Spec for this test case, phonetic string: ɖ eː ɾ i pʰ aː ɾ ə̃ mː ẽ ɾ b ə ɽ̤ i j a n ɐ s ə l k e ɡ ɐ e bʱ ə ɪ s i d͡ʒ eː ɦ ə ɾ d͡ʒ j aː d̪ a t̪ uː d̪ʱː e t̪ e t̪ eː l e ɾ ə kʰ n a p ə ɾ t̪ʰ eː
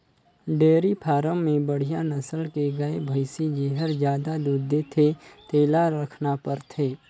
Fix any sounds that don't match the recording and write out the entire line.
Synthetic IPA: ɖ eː ɾ i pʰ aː ɾ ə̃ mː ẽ b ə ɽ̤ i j a n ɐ s ə l k e ɡ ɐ e bʱ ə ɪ s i d͡ʒ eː ɦ ə ɾ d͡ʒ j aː d̪ a d̪ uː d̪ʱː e t̪ʰ e t̪ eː l a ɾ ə kʰ n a p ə ɾ t̪ʰ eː